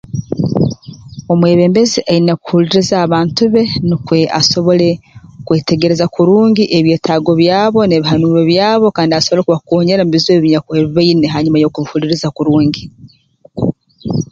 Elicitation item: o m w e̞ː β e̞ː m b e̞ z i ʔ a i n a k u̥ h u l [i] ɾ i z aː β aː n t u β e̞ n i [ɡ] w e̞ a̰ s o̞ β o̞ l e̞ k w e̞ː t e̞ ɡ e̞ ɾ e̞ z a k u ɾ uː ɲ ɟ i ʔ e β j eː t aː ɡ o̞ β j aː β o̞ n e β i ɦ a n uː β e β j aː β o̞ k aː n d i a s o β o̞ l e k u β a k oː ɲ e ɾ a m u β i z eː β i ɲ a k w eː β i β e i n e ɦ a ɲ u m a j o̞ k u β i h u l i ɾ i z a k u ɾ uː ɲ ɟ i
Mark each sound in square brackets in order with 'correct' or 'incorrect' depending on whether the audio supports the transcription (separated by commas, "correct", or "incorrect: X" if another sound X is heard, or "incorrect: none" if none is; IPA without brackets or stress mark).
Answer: correct, incorrect: k